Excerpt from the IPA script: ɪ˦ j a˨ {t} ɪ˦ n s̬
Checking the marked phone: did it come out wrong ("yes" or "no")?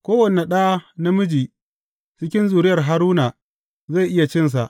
yes